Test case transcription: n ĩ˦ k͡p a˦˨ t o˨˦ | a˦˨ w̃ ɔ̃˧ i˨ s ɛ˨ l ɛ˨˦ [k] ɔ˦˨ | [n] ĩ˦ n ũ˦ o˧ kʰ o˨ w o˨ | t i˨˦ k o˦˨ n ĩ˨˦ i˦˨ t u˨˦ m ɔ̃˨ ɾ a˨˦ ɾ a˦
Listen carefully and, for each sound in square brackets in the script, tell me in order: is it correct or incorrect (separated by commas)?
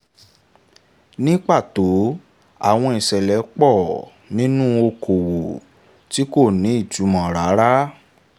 incorrect, correct